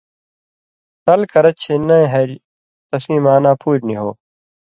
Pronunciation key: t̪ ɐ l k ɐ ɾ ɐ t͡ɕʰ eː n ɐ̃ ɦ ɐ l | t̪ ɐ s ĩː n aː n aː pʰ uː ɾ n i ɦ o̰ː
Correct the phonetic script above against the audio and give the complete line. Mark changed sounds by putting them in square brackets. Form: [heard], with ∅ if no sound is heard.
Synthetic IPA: t̪ ɐ l k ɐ ɾ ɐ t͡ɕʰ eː n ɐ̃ ɦ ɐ [ɾ] | t̪ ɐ s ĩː [m] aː n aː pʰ uː ɾ n i ɦ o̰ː